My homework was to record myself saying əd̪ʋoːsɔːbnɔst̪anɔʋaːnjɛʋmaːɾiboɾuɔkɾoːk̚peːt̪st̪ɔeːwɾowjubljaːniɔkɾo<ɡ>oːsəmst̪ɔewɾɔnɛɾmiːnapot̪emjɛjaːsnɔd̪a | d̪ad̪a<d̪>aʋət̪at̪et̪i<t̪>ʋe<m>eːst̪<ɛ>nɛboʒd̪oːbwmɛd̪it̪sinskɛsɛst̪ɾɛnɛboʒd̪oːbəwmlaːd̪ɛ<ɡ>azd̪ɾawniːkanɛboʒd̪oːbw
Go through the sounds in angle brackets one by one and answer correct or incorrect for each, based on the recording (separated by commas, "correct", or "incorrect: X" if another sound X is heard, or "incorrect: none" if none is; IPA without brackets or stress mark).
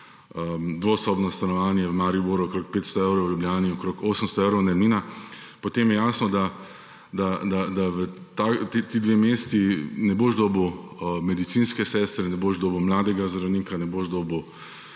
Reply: incorrect: k, correct, incorrect: d̪, correct, incorrect: i, correct